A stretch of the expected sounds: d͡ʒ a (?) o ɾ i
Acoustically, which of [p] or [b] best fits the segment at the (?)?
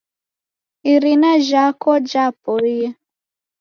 p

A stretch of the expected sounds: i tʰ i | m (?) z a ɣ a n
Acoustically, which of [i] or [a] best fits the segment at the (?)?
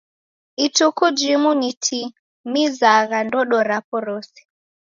i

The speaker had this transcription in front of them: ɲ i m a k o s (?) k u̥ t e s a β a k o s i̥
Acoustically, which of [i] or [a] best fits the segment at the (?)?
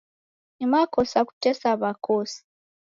a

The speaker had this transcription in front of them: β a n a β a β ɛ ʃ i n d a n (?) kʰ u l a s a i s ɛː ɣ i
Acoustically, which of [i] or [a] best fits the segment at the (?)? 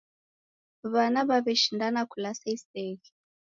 a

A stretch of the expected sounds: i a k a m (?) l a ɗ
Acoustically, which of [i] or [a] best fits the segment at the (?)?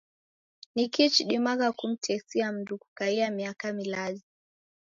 i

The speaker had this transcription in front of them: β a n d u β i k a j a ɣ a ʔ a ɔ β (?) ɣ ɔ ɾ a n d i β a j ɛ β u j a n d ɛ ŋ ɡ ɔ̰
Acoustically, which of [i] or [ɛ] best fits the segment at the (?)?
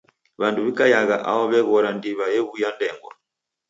ɛ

